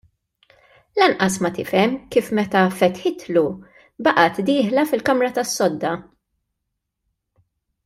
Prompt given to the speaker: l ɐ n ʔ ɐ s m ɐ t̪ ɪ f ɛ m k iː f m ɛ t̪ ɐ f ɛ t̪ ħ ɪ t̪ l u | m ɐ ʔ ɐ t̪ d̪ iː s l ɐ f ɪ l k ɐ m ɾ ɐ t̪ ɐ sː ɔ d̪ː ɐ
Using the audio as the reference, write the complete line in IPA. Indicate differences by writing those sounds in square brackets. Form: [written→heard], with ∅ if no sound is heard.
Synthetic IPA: l ɐ n ʔ ɐ s m ɐ t̪ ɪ f ɛ m k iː f m ɛ t̪ ɐ f ɛ t̪ ħ ɪ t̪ l u | [m→b] ɐ ʔ ɐ t̪ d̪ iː [s→ħ] l ɐ f ɪ l k ɐ m ɾ ɐ t̪ ɐ sː ɔ d̪ː ɐ

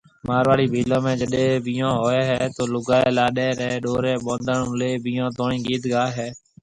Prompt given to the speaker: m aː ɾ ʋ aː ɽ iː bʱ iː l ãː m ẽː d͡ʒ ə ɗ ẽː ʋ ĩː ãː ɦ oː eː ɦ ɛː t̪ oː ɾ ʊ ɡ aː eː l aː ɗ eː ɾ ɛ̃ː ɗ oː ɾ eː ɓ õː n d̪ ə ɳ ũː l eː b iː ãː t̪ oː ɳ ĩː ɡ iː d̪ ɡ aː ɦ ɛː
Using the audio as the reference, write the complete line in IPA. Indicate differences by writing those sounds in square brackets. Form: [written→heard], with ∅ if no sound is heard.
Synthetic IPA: m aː ɾ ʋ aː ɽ iː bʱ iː l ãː m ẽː d͡ʒ ə ɗ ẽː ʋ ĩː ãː ɦ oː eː ɦ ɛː t̪ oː [ɾ→l] ʊ ɡ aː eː l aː ɗ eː ɾ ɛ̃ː ɗ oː ɾ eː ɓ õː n d̪ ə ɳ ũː l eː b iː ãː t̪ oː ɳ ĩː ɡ iː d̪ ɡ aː ɦ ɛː

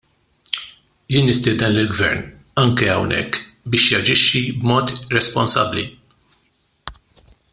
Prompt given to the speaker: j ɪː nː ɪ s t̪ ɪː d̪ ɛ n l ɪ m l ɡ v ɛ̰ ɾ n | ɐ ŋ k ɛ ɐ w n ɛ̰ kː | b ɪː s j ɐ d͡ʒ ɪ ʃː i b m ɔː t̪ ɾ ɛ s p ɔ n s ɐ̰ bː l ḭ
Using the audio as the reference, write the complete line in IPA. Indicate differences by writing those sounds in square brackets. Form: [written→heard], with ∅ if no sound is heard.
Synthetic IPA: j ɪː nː ɪ s t̪ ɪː d̪ ɛ n l ɪ [m→∅] l ɡ v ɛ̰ ɾ n | ɐ ŋ k ɛ ɐ w n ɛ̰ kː | b ɪː [s→ʃ] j ɐ d͡ʒ ɪ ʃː i b m ɔː t̪ ɾ ɛ s p ɔ n s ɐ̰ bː l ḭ

